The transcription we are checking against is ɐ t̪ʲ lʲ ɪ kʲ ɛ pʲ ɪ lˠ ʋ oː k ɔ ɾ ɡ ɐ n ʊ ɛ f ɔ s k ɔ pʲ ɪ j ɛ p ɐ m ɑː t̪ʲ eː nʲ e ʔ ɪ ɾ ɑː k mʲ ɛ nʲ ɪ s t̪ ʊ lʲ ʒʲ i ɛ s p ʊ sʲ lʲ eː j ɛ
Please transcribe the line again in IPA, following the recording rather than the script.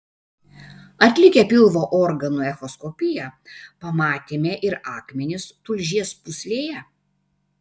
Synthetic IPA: ɐ t̪ʲ lʲ ɪ kʲ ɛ pʲ ɪ lˠ ʋ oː ʔ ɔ ɾ ɡ ɐ n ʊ ɛ x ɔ s k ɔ pʲ ɪ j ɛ p ɐ m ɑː t̪ʲ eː mʲ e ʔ ɪ ɾ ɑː k mʲ ɛ nʲ ɪ s t̪ ʊ lʲ ʒʲ i ɛ s p ʊ sʲ lʲ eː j ɛ